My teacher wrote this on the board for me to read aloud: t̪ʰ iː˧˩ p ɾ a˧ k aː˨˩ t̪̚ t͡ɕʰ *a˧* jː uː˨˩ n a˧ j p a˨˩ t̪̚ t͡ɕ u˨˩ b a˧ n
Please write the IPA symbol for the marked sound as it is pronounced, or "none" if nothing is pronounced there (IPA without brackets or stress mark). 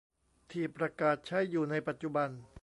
a˦˥˩